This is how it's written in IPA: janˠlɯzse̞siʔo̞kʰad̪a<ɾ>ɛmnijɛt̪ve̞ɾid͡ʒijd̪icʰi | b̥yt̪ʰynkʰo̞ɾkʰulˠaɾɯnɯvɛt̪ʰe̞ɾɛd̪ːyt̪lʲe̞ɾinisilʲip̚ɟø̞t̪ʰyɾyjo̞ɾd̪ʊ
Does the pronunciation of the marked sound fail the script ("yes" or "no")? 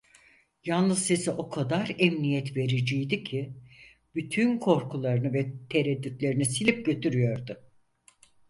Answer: no